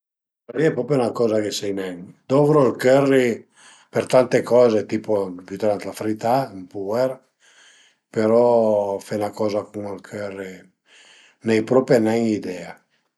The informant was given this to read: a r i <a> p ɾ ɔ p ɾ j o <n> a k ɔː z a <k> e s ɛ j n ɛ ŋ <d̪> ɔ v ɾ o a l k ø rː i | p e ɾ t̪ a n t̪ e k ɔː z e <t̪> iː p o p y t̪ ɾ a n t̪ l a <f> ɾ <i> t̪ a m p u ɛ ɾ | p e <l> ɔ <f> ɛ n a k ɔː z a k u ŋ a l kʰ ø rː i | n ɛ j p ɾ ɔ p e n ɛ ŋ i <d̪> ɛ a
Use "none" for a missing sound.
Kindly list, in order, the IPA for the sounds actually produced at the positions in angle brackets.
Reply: ɛ, n, k, d̪, t̪, f, i, ɾ, f, d̪

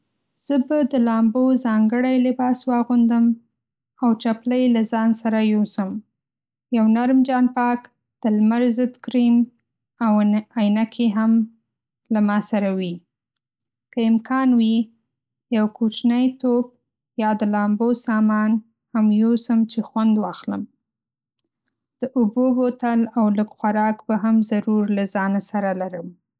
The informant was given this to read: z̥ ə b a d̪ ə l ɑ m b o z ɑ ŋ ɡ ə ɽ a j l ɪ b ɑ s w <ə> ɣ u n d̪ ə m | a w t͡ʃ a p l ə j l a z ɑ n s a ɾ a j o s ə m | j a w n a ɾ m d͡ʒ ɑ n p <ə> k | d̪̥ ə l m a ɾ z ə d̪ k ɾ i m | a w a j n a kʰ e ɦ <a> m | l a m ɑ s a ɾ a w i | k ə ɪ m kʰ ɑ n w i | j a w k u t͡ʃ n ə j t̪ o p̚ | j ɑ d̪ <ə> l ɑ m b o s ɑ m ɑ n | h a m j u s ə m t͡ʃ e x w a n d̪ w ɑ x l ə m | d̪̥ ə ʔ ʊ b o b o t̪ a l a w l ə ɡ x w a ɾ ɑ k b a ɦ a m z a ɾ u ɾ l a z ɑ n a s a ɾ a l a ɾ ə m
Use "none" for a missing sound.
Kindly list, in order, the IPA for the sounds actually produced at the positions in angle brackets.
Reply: ɑ, ɑ, a, ə

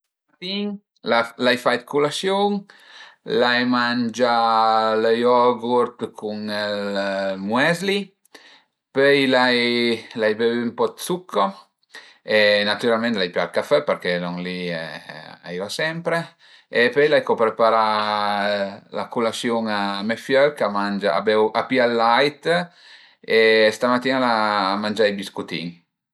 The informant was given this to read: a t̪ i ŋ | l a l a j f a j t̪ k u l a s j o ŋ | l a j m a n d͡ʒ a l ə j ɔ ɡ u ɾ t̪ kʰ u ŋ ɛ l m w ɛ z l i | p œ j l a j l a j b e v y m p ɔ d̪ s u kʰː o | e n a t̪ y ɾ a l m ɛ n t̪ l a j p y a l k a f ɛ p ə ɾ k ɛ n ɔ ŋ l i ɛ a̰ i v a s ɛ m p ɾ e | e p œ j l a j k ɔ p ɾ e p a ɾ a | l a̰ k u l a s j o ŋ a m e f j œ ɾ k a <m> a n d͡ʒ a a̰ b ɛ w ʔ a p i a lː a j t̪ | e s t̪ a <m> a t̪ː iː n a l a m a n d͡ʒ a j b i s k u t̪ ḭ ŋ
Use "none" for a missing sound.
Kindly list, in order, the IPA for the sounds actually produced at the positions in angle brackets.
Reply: m, m

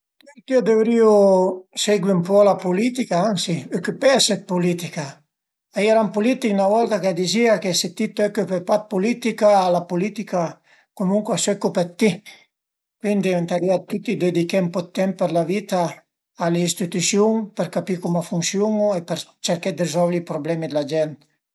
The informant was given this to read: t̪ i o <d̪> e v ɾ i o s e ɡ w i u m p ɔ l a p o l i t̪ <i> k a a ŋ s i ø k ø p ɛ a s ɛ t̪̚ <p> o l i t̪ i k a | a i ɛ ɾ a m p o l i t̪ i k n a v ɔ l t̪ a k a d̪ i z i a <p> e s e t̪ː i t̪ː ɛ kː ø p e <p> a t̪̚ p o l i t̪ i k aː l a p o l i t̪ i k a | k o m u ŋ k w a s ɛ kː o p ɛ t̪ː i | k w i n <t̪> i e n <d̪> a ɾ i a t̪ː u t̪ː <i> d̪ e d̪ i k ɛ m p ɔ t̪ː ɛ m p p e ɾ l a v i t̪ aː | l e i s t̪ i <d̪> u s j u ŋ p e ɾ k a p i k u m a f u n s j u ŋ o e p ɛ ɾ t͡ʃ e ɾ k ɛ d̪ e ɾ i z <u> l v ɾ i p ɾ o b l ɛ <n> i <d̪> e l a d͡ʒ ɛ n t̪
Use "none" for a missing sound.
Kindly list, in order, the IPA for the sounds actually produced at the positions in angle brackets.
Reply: d̪, i, p, k, p, d̪, t̪, i, t̪, ɔ, m, d̪

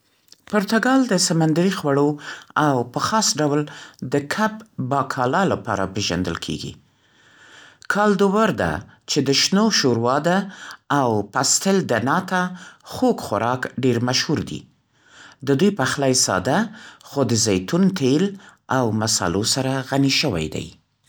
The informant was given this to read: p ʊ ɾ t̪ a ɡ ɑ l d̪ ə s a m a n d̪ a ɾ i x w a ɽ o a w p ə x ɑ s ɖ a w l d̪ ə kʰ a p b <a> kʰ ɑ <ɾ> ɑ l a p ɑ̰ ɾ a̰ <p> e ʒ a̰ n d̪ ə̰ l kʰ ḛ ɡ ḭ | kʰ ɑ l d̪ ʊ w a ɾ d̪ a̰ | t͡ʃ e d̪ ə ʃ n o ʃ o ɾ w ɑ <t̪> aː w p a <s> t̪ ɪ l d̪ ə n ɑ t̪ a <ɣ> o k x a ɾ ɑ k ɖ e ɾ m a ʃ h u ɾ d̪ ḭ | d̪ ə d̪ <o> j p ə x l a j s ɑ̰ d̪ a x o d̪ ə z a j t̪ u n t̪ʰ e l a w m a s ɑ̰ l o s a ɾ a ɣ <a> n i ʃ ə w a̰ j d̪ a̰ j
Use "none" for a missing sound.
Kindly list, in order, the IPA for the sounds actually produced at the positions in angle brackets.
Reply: ɑ, l, p, d̪, s, x, u, a

